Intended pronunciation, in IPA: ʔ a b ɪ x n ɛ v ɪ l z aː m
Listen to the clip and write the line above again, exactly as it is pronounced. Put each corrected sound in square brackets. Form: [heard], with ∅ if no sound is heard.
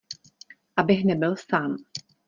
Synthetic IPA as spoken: ʔ a b ɪ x n ɛ [b] ɪ l [s] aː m